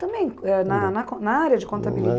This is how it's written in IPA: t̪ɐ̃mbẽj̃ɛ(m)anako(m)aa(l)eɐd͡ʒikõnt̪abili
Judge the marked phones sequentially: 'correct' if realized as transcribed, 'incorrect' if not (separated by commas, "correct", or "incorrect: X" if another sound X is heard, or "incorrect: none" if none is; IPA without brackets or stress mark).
incorrect: n, incorrect: n, incorrect: ɾ